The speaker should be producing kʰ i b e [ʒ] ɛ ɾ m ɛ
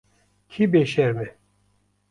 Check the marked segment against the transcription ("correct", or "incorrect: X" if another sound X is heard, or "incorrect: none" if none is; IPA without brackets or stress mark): incorrect: ʃ